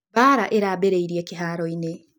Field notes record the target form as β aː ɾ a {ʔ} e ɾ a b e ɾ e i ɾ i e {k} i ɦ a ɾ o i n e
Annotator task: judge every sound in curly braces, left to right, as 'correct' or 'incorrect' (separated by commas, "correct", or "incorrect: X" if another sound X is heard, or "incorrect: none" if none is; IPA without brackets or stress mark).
correct, correct